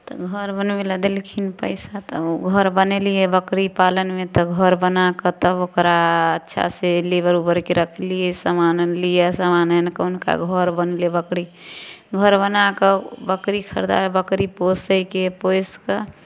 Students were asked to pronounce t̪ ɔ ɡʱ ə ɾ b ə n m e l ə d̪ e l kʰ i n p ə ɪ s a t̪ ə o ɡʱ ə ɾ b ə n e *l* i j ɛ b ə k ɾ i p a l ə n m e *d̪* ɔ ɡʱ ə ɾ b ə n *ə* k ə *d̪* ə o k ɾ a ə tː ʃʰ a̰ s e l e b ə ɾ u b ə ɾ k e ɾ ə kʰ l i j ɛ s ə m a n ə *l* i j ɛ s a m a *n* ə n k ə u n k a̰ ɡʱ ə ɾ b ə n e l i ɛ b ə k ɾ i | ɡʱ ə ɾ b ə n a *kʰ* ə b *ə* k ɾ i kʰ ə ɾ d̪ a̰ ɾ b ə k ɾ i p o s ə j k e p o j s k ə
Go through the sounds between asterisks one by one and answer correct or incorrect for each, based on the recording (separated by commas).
correct, incorrect, incorrect, incorrect, correct, correct, incorrect, correct